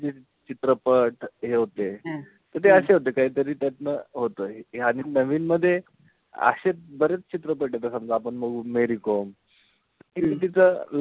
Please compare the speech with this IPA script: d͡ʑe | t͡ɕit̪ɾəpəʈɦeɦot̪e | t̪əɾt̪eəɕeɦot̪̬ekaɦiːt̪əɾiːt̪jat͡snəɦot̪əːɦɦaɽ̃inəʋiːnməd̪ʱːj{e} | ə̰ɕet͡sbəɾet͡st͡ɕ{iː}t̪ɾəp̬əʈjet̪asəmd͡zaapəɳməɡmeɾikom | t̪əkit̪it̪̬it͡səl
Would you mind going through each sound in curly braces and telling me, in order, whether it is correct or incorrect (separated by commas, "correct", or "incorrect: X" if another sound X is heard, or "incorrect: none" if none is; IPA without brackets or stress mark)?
correct, incorrect: i